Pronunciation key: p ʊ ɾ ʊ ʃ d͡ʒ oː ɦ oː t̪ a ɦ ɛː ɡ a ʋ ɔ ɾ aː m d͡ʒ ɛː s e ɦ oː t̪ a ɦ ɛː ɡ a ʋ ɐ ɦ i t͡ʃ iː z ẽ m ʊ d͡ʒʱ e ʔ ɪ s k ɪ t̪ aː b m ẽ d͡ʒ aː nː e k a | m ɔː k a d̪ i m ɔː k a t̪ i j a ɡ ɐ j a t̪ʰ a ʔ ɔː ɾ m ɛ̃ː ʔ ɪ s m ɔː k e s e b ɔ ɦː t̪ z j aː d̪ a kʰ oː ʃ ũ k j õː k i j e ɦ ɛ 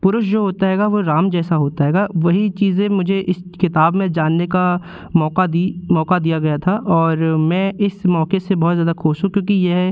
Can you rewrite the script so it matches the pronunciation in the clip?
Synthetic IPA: p ʊ ɾ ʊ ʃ d͡ʒ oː ɦ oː t̪ a ɦ ɛː ɡ a ʋ o ɾ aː m d͡ʒ ɛː s a ɦ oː t̪ a ɦ ɛː ɡ a ʋ ɐ ɦ i t͡ʃ iː z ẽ m ʊ d͡ʒʱ e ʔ ɪ s k ɪ t̪ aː b m ẽ d͡ʒ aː nː e k a | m ɔː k a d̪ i m ɔː k a d̪ i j a ɡ ɐ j a t̪ʰ a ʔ ɔː ɾ m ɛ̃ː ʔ ɪ s m ɔː k e s e b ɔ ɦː t̪ z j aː d̪ a kʰ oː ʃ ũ k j õː k i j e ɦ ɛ